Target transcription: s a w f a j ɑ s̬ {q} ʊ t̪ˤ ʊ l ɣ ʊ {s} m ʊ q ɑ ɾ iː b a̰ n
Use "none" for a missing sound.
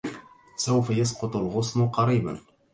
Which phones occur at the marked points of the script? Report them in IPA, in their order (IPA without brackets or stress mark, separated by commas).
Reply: q, s